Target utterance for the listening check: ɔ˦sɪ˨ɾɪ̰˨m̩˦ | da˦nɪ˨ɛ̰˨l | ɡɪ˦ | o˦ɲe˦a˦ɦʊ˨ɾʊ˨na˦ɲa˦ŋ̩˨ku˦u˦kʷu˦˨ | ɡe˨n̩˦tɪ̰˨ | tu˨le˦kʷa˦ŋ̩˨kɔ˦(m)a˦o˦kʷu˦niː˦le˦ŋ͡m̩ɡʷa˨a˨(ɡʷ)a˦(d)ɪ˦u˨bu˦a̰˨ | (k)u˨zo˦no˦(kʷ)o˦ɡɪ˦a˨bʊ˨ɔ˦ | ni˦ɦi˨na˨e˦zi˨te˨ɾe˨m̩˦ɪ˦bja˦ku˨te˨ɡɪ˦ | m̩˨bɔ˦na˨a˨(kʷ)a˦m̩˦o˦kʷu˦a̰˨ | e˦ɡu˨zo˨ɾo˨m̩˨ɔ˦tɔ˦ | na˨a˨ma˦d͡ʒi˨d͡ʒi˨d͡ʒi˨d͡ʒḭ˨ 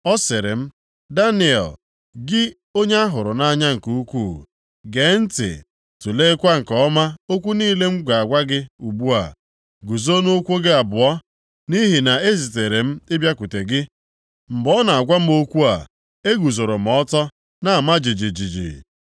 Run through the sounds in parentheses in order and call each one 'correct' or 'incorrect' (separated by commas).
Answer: correct, correct, incorrect, incorrect, correct, incorrect